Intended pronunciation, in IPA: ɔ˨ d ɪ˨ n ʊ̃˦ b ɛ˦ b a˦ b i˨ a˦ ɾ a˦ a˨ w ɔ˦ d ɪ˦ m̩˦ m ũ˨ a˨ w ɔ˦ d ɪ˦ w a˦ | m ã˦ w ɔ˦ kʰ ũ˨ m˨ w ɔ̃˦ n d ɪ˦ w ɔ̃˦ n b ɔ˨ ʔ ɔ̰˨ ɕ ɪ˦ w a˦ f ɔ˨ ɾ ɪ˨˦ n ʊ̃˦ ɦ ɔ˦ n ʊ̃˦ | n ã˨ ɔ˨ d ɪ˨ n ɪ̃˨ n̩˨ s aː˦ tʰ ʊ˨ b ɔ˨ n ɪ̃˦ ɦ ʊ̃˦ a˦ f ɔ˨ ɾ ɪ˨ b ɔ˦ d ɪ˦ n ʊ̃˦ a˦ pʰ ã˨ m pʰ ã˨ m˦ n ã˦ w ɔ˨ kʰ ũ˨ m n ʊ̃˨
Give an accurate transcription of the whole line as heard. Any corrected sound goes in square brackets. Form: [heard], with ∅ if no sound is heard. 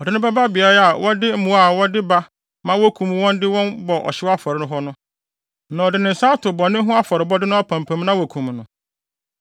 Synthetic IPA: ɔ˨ d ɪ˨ n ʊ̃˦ b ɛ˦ b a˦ b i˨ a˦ ɾ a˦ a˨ w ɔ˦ d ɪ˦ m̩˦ m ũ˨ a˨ w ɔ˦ d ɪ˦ [b] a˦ | m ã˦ w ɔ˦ kʰ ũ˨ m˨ w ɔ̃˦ n d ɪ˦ w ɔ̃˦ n b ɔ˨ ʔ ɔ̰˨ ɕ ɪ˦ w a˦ f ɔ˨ ɾ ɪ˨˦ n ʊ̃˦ ɦ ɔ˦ n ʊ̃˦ | n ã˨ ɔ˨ d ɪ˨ n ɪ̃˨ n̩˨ s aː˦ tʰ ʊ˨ b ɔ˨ n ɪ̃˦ ɦ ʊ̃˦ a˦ f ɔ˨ ɾ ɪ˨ b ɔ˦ d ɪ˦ n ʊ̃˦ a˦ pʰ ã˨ m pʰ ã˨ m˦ n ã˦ w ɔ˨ kʰ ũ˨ m n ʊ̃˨